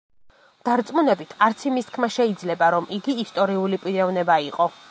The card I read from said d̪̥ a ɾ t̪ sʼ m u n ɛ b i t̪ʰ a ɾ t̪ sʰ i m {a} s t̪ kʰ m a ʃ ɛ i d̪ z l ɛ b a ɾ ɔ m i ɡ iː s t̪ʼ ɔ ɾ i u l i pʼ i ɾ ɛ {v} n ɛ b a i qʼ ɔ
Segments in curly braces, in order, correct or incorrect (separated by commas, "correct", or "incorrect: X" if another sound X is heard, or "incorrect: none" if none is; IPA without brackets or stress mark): incorrect: i, correct